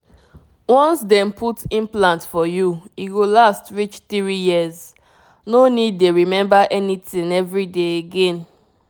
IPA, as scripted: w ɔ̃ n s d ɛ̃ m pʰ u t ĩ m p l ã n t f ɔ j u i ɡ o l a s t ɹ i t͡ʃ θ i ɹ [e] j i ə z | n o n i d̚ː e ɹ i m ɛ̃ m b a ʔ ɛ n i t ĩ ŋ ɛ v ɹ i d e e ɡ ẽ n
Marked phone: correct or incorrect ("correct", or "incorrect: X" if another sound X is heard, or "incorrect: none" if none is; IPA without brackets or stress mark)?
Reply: incorrect: i